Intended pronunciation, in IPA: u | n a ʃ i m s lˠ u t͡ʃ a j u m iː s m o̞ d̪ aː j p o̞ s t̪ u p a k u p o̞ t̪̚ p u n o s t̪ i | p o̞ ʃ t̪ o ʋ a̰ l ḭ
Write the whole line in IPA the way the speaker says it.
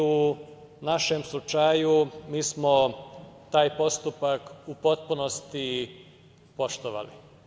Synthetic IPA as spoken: u | n a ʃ e m s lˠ u t͡ʃ a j u m iː s m o̞ t̪ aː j p o̞ s t̪ u p a k u p o̞ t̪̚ p u n o s t̪ i | p o̞ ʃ t̪ o ʋ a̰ l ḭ